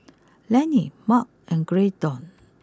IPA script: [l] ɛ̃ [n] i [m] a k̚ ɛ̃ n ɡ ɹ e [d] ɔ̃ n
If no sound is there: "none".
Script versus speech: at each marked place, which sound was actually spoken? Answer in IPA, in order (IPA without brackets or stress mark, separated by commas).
l, n, m, d